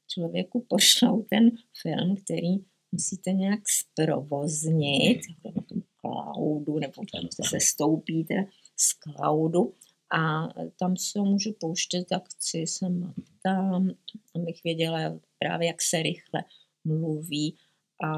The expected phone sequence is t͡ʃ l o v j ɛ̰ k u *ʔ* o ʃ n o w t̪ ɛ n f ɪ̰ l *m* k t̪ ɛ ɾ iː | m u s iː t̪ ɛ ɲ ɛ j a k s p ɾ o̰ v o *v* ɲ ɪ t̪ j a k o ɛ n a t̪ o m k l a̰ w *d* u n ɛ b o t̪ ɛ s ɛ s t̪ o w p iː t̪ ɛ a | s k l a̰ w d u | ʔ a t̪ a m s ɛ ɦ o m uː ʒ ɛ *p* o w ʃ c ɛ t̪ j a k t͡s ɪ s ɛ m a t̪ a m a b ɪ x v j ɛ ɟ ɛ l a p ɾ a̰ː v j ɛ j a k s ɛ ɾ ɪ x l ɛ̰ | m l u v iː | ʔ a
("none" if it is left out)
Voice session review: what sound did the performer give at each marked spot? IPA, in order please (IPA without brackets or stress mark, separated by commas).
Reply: p, m, z, d, p